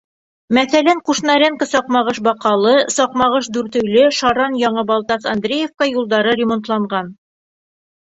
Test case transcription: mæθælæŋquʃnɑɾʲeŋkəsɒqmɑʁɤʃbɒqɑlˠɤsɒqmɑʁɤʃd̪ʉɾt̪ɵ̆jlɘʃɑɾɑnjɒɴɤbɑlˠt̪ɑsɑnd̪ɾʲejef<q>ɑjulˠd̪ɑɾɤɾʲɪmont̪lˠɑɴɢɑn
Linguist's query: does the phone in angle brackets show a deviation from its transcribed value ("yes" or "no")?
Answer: yes